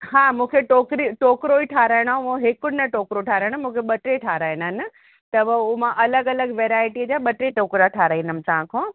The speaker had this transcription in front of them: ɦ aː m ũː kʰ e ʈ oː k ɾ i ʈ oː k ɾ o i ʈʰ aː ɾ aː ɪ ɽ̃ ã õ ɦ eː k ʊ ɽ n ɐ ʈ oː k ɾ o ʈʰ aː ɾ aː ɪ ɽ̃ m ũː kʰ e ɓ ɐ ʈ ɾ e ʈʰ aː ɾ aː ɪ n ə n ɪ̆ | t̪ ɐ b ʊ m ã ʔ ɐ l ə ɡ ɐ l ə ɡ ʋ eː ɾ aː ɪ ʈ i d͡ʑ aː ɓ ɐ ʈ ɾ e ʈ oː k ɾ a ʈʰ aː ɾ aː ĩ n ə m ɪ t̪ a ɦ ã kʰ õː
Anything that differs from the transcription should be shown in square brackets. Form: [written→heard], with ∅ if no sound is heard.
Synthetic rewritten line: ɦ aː m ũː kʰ e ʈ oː k ɾ i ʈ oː k ɾ o i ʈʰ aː ɾ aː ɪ ɽ̃ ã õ ɦ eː k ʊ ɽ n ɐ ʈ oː k ɾ o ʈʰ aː ɾ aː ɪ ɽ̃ m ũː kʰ e ɓ ɐ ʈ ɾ e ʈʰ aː ɾ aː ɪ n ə n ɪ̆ | t̪ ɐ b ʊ m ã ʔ ɐ l ə ɡ ɐ l ə ɡ ʋ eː ɾ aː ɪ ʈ i d͡ʑ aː ɓ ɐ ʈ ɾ e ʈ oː k ɾ a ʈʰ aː ɾ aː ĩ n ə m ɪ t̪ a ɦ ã kʰ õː